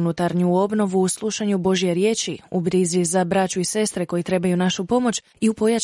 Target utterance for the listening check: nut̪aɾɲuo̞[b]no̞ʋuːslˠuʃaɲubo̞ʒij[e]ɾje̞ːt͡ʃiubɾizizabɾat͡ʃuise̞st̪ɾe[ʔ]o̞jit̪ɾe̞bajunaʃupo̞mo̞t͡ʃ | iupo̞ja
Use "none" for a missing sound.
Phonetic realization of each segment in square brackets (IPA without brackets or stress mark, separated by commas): b, e, k